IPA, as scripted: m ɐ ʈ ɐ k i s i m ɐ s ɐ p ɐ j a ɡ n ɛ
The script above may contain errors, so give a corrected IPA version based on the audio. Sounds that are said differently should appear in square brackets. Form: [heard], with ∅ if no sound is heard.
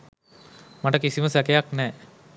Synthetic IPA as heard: m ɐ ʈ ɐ k i s i m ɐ s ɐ [k] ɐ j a [k] n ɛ